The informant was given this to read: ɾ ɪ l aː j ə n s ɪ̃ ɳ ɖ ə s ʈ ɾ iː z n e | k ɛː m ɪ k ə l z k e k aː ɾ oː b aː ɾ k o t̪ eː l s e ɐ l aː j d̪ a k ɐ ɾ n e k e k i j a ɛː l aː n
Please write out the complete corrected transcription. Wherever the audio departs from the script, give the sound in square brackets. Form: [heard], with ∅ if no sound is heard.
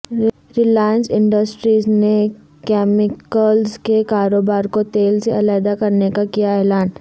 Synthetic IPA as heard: ɾ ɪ l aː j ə n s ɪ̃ ɳ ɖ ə s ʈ ɾ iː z n e | k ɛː m ɪ k ə l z k e k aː ɾ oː b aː ɾ k o t̪ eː l s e ɐ l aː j d̪ a k ɐ ɾ n e k [a] k i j a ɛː l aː n

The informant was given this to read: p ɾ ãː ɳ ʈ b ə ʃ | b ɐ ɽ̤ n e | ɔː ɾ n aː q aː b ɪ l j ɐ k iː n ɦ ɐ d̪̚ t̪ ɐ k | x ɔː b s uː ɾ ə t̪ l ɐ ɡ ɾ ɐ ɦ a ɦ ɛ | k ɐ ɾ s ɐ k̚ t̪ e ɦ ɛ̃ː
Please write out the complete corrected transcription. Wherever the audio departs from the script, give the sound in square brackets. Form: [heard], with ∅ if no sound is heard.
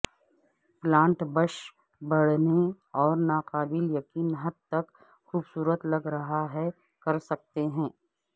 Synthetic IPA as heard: p [l] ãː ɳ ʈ b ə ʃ | b ɐ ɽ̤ n e | ɔː ɾ n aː q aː b ɪ l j ɐ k iː n ɦ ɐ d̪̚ t̪ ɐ k | x [uː] b s uː ɾ ə t̪ l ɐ ɡ ɾ ɐ ɦ a ɦ ɛ | k ɐ ɾ s ɐ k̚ t̪ e ɦ ɛ̃ː

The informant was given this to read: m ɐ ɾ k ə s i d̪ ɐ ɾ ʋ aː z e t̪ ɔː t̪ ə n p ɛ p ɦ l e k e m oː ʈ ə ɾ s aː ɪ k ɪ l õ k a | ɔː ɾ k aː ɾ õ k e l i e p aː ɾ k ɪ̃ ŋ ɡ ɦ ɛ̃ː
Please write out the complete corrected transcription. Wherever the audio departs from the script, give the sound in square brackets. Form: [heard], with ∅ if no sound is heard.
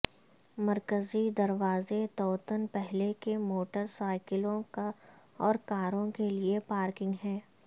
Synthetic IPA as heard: m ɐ ɾ k ə [z] i d̪ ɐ ɾ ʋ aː z e t̪ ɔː t̪ ə n p ɛ [∅] ɦ l e k e m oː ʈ ə ɾ s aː ɪ k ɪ l õ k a | ɔː ɾ k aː ɾ õ k e l i e p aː ɾ k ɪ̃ ŋ ɡ ɦ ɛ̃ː

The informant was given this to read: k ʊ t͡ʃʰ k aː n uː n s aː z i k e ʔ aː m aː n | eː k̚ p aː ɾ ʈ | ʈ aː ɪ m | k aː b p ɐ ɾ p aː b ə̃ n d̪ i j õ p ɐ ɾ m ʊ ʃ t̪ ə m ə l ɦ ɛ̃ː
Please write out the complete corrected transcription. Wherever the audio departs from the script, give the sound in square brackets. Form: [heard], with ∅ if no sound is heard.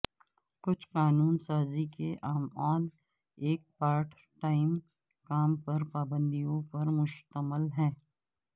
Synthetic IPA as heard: k ʊ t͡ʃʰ [q] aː n uː n s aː z i k e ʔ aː m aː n | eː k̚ p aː ɾ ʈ | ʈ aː ɪ m | k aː [m] p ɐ ɾ p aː b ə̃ n d̪ i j õ p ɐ ɾ m ʊ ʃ t̪ ə m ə l ɦ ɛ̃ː

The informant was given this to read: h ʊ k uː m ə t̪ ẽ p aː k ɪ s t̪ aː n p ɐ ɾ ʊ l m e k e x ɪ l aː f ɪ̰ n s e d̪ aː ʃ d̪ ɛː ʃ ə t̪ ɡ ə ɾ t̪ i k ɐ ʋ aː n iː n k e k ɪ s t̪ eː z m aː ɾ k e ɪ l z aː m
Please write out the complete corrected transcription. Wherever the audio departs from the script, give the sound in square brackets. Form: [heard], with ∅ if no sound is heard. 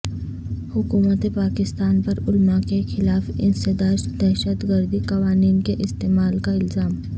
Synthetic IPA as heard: h ʊ k uː m ə t̪ [e] p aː k ɪ s t̪ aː n p ɐ ɾ ʊ l m [a] k e x ɪ l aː f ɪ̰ n s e d̪ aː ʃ d̪ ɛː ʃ ə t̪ ɡ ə ɾ [d̪] i k ɐ ʋ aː n iː n k e [ʔ] ɪ s t̪ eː [∅] m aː [l] k [a] ɪ l z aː m

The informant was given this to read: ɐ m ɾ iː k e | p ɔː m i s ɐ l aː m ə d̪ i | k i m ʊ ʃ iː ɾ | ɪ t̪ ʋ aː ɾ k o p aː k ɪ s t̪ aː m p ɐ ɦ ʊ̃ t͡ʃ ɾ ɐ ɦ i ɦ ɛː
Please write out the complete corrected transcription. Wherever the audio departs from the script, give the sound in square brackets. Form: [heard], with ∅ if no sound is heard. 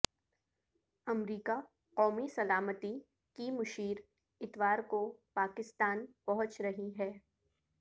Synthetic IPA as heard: ɐ m ɾ iː k [a] | [q] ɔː m i s ɐ l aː m ə [t̪] i | k i m ʊ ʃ iː ɾ | ɪ t̪ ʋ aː ɾ k o p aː k ɪ s t̪ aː [n] p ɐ ɦ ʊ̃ t͡ʃ ɾ ɐ ɦ i ɦ ɛː

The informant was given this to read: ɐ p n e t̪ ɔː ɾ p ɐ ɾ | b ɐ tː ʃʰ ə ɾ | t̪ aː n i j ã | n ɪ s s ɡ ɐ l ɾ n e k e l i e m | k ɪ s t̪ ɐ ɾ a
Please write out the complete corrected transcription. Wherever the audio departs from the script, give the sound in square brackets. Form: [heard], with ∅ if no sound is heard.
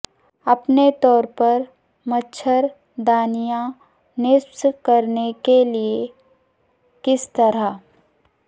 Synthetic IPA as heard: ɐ p n e t̪ ɔː ɾ p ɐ ɾ | [m] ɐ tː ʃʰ ə ɾ | [d̪] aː n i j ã | n ɪ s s [k] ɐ [∅] ɾ n e k e l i e [∅] | k ɪ s t̪ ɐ ɾ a

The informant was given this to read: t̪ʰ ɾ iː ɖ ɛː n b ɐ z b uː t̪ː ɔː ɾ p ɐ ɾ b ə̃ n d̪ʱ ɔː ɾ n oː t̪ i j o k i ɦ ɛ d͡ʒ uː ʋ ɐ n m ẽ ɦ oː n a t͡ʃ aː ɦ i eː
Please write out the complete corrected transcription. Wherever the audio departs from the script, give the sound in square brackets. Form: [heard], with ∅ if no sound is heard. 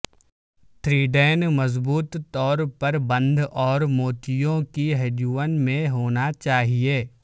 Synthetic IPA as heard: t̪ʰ ɾ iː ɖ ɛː n [m] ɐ z b uː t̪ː ɔː ɾ p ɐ ɾ b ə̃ n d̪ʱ ɔː ɾ [m] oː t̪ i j [õ] k i ɦ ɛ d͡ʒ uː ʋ [ə] n m ẽ ɦ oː n a t͡ʃ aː ɦ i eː

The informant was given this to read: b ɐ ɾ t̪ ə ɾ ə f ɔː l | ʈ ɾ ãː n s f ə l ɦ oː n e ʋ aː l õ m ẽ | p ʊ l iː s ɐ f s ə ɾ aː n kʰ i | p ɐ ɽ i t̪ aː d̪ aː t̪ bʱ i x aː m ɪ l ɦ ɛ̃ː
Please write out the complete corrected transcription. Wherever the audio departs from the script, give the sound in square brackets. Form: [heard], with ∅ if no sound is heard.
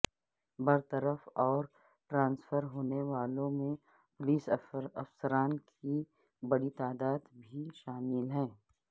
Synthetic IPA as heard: b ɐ ɾ t̪ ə ɾ ə f ɔː [ɾ] | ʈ ɾ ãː n s f ə [ɾ] ɦ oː n e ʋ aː l õ m ẽ | p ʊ l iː s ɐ f s ə ɾ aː n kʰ i | [b] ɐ ɽ i t̪ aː d̪ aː [d̪] bʱ i [ʃ] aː m ɪ l ɦ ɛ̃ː

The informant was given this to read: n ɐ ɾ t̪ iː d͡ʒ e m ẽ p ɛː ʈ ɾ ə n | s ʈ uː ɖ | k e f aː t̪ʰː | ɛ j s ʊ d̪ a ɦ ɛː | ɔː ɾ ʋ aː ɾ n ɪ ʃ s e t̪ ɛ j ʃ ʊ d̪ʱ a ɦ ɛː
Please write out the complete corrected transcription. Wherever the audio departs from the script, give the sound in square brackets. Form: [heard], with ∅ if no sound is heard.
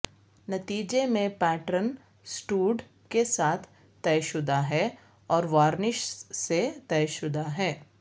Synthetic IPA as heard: n ɐ [∅] t̪ iː d͡ʒ e m ẽ p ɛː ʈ ɾ ə n | s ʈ uː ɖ | k e [s] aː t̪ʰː | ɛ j [ʃ] ʊ d̪ a ɦ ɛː | ɔː ɾ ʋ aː ɾ n ɪ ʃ s e t̪ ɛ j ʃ ʊ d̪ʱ a ɦ ɛː

